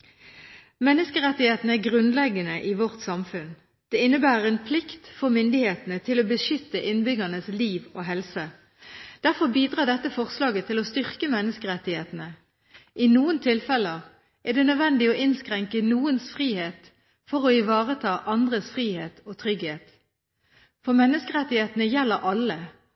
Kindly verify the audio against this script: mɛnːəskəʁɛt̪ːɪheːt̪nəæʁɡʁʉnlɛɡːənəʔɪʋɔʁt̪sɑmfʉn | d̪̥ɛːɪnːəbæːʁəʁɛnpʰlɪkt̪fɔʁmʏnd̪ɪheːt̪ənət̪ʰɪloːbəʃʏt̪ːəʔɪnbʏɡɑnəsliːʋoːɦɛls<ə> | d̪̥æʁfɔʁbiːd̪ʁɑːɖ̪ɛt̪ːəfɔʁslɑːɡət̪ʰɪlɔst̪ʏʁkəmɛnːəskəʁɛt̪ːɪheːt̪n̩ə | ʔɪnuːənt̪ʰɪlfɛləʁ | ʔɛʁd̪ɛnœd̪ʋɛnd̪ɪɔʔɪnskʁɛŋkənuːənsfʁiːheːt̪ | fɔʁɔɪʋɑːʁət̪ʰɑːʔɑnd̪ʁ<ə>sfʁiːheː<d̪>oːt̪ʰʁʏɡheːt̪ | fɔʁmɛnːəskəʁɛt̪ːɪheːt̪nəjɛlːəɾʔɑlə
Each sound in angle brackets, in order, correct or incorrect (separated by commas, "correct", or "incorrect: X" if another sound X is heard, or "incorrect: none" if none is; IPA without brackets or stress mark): correct, correct, incorrect: t̪